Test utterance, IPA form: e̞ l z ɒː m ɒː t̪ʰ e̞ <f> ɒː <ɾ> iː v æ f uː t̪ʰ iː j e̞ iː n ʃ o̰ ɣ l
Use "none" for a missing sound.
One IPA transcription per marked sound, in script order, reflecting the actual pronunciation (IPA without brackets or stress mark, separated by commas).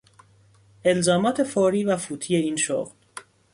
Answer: f, ɾ